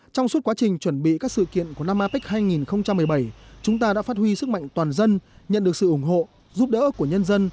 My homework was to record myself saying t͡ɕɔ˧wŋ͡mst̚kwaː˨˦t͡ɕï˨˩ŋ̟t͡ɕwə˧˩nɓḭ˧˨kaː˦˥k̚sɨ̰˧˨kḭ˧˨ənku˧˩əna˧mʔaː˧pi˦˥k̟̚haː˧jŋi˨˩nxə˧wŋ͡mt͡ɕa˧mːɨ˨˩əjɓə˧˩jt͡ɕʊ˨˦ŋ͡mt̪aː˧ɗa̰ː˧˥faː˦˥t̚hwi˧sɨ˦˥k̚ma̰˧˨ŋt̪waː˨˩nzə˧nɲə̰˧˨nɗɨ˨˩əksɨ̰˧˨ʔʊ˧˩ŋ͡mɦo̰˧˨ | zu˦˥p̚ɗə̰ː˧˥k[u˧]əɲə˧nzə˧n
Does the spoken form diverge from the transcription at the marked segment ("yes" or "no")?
yes